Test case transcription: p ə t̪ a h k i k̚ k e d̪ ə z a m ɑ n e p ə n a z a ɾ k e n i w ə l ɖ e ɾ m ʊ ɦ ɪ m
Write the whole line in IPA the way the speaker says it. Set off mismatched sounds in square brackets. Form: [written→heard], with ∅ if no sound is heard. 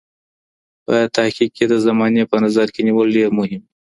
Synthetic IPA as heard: p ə t̪ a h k i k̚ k e d̪ ə z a m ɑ n e p ə n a z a ɾ k e n i w ə l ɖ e ɾ m ʊ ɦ ɪ m